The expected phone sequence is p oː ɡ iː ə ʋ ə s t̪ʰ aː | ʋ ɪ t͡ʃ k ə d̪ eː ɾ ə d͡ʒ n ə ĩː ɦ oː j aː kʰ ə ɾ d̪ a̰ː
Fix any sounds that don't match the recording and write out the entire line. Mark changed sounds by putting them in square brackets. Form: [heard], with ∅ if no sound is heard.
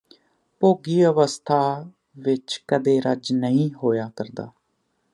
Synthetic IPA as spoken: p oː ɡ iː ə ʋ ə s t̪ʰ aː | ʋ ɪ t͡ʃ k ə d̪ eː ɾ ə d͡ʒ n ə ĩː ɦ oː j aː [k] ə ɾ d̪ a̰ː